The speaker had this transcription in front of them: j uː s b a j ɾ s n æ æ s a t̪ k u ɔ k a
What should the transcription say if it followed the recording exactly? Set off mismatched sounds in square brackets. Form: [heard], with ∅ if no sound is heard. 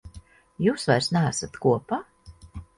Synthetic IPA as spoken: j uː s [v] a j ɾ s n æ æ s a t̪ k u ɔ [p] a